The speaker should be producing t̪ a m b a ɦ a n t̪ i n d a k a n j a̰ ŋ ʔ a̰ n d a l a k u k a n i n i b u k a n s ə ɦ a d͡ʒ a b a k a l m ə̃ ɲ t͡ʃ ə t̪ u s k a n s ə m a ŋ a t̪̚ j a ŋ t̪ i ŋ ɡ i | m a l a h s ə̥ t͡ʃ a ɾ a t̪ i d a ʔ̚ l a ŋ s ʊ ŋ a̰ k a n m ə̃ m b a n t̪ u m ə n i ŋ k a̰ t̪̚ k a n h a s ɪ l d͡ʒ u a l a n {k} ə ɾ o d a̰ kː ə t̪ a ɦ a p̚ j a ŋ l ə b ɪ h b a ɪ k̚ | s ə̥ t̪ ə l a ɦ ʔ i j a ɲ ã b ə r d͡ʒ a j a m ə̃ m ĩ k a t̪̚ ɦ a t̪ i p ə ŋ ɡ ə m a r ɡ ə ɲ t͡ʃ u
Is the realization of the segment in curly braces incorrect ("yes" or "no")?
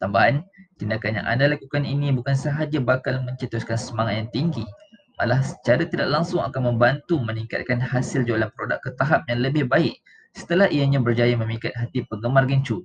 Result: yes